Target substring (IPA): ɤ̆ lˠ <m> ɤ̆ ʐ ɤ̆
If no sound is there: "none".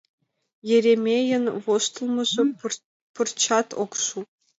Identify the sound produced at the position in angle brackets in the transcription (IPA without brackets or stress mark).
m